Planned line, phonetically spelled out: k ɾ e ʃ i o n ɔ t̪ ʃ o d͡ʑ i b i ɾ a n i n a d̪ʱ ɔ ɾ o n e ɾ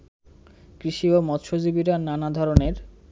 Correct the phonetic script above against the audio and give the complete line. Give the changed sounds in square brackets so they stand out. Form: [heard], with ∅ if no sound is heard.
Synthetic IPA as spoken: k ɾ [i] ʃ i o [m] ɔ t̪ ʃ o d͡ʑ i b i ɾ a n [a] n a d̪ʱ ɔ ɾ o n e ɾ